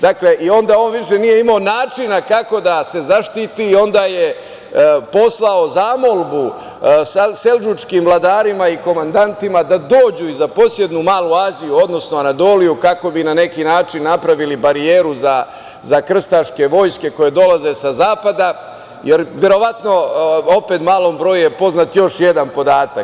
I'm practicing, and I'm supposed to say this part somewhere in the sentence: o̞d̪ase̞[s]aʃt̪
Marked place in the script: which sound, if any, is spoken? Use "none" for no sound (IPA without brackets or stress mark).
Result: z